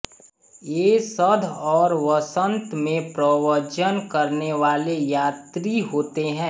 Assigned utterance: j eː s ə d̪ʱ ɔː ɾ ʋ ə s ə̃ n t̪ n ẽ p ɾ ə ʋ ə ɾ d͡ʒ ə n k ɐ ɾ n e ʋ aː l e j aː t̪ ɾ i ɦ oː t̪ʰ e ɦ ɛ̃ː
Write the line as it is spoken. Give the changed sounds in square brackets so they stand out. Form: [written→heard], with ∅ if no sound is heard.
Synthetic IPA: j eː s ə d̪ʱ ɔː ɾ ʋ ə s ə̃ n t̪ [n→m] ẽ p ɾ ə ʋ ə ɾ d͡ʒ ə n k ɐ ɾ n e ʋ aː l e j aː t̪ ɾ i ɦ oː [t̪ʰ→t̪] e ɦ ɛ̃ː